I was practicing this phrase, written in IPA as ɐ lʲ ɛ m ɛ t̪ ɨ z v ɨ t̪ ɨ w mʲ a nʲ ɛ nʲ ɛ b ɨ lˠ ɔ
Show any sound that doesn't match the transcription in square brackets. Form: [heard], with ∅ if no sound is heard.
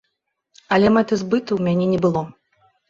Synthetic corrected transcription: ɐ lʲ ɛ m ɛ t̪ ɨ z [b] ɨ t̪ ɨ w mʲ a nʲ ɛ nʲ ɛ b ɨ lˠ ɔ